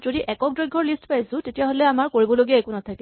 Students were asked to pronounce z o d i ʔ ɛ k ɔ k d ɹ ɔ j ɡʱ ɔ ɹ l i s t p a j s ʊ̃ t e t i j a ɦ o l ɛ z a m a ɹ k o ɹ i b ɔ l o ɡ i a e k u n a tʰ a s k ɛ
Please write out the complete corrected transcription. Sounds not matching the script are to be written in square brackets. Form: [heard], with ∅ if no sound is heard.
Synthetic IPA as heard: z o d i ʔ ɛ k ɔ k d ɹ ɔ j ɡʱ ɔ ɹ l i s t p a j s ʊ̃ t e t i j a ɦ o l ɛ [∅] a m a ɹ k o ɹ i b ɔ l o ɡ i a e k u n a tʰ a [∅] k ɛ